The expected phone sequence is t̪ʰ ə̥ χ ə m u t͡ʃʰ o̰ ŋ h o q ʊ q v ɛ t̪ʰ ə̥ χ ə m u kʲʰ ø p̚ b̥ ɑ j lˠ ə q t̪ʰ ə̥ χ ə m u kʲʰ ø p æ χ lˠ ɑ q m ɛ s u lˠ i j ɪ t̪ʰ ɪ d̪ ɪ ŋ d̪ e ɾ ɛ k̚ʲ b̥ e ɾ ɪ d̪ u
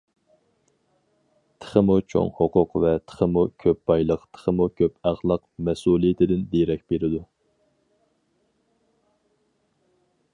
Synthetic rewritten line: t̪ʰ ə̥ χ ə m u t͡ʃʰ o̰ ŋ h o q ʊ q v ɛ t̪ʰ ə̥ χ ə m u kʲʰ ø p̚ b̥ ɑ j lˠ ə q t̪ʰ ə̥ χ ə m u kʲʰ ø p æ χ lˠ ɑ q m ɛ s u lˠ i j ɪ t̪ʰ ɪ d̪ ɪ n d̪ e ɾ ɛ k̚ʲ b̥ e ɾ ɪ d̪ u